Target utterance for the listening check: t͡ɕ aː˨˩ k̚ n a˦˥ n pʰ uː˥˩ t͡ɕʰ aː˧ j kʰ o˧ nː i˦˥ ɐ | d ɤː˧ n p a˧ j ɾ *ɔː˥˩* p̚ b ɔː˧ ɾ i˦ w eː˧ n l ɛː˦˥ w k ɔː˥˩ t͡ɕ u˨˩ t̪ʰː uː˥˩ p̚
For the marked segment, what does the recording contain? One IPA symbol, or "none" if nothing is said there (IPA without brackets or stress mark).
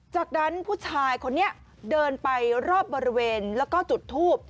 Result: ɔː˥˩